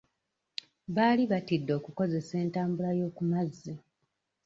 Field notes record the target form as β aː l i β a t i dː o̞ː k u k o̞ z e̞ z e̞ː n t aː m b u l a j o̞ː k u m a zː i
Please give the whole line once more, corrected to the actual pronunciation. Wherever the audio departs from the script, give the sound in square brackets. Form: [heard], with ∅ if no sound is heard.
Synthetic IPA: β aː l i β a t i dː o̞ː k u k o̞ z e̞ [s] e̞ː n t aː m b u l a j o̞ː k u m a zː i